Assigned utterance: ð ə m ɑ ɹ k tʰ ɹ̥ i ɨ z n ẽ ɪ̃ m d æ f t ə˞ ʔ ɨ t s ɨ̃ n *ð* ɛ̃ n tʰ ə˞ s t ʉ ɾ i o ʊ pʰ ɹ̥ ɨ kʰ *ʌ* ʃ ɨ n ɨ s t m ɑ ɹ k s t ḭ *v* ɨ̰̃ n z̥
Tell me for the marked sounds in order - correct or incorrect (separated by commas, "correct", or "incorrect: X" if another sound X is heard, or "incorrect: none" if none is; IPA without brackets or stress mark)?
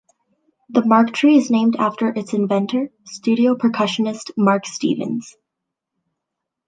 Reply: incorrect: v, correct, correct